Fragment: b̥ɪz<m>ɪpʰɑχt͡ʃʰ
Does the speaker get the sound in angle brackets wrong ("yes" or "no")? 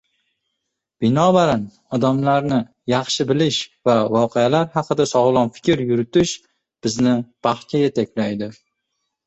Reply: yes